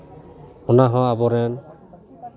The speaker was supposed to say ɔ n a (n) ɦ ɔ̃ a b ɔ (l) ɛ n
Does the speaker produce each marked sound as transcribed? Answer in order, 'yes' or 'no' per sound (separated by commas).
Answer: no, no